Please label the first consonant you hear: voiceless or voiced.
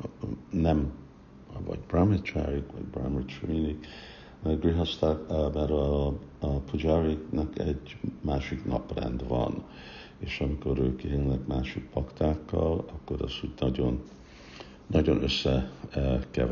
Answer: voiced